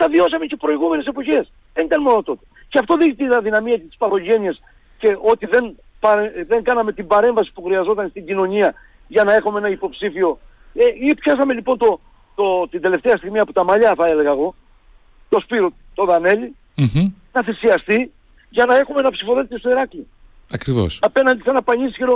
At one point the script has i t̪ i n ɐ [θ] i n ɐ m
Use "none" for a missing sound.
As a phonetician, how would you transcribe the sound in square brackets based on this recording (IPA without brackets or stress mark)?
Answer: ð